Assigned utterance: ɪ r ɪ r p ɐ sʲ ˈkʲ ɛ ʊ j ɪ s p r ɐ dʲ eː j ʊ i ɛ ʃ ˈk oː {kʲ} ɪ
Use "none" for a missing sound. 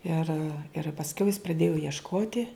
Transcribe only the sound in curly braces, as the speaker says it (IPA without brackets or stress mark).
tʲ